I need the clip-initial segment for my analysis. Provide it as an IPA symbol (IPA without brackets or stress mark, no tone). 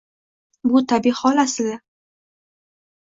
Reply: b